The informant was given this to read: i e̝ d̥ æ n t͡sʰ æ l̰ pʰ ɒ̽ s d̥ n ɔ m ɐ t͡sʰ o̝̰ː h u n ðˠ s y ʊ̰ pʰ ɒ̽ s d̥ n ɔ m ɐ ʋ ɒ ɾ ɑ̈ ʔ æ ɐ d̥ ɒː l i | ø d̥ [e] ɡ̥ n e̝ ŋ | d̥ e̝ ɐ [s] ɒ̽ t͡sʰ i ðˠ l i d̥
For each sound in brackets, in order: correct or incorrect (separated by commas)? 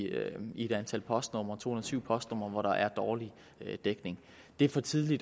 correct, incorrect